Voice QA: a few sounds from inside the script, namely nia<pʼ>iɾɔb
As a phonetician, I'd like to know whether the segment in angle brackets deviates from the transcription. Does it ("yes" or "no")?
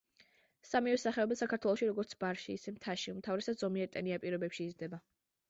no